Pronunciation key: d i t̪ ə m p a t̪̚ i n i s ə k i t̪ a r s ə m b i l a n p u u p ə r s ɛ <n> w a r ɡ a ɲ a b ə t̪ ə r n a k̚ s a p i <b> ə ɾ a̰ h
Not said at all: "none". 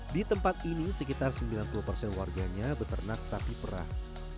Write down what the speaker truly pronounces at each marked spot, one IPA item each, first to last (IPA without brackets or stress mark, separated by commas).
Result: n, p